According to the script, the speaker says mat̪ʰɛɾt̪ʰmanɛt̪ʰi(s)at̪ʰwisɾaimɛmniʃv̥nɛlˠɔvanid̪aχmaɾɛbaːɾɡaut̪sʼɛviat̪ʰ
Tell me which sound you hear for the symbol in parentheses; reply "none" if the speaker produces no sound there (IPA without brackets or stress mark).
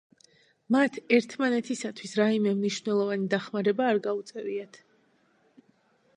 s